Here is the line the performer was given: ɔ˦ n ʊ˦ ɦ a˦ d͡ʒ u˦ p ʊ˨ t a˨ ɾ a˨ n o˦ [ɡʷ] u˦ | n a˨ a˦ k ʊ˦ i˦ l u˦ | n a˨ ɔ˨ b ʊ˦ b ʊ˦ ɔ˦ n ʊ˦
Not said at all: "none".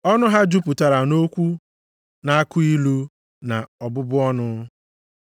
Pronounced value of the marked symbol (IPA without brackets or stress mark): kʷ